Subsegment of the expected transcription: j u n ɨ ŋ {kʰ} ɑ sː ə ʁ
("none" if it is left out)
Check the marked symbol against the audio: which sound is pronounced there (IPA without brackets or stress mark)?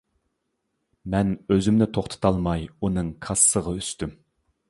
kʰ